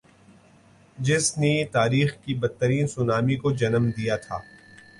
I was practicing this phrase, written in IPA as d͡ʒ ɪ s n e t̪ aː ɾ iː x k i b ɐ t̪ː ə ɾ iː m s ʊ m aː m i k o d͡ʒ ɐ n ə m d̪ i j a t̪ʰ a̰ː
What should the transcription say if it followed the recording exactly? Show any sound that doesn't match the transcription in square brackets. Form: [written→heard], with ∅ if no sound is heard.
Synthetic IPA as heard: d͡ʒ ɪ s n e t̪ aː ɾ iː x k i b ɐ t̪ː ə ɾ iː [m→n] s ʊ [m→n] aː m i k o d͡ʒ ɐ n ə m d̪ i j a t̪ʰ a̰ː